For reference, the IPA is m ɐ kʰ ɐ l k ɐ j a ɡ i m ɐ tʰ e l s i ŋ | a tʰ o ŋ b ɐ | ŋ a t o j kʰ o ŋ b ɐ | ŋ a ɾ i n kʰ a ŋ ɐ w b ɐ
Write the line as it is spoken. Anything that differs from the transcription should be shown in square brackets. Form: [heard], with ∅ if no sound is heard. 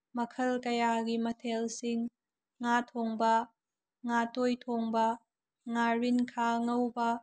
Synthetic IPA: m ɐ kʰ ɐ l k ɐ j a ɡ i m ɐ tʰ e l s i [ŋː] | a tʰ o ŋ b ɐ | ŋ a t o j [tʰ] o ŋ b ɐ | ŋ a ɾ i n kʰ a ŋ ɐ w b ɐ